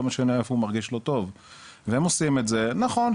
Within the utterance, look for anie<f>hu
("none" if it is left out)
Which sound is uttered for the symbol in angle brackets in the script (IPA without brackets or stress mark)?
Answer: f